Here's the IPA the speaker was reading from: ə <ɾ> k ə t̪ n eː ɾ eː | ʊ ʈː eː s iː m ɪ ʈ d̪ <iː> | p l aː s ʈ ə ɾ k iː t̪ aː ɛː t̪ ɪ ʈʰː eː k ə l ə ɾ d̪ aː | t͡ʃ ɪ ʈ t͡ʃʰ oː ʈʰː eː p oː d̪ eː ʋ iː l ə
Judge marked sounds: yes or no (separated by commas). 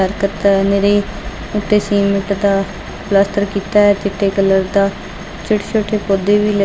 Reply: yes, no